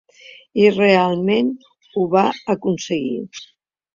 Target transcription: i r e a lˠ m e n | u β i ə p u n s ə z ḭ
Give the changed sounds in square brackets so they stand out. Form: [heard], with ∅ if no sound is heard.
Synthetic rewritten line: i r e a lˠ m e n | u β [a] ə [k] u n s ə [ɣ] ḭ